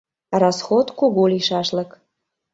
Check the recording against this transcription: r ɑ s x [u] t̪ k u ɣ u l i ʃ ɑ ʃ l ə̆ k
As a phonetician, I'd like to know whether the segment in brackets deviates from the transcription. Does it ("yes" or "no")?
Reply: yes